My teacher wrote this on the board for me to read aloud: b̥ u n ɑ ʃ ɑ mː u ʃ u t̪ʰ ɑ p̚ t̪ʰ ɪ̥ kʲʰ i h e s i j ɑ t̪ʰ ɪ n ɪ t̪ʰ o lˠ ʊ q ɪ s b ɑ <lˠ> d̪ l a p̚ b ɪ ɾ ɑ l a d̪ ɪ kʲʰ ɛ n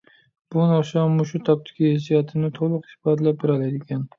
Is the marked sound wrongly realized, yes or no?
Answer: yes